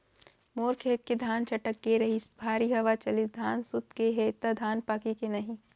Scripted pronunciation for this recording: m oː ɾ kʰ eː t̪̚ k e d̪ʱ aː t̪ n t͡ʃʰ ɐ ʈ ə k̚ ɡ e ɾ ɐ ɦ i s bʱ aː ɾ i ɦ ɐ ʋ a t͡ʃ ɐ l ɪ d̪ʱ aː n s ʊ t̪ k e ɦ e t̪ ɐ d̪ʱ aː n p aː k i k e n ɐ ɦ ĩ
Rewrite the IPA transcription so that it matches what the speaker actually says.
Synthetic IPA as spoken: m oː ɾ kʰ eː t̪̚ k e d̪ʱ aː n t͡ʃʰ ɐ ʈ ə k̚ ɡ e ɾ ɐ ɦ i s bʱ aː ɾ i ɦ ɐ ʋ a t͡ʃ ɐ l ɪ d̪ʱ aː n s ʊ t̪ k e ɦ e t̪ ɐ d̪ʱ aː n p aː k i k e n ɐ ɦ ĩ